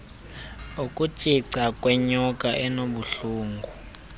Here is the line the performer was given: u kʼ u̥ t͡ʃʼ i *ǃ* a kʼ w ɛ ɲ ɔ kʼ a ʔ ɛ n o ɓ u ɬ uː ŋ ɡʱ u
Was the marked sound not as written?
yes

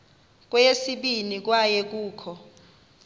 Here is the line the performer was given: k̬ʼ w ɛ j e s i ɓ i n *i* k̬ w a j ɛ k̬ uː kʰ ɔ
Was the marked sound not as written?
no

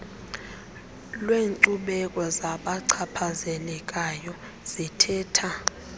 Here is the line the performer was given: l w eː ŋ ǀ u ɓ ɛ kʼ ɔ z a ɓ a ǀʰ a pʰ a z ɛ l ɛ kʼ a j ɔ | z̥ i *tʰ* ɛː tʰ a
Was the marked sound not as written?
no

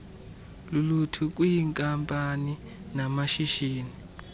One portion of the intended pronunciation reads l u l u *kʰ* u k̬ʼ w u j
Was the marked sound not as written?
yes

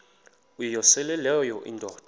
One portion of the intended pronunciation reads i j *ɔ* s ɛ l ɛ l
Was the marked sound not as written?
no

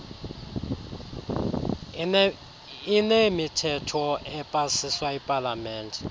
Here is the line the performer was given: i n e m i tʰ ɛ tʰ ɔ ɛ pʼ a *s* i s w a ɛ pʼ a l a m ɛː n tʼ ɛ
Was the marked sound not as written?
no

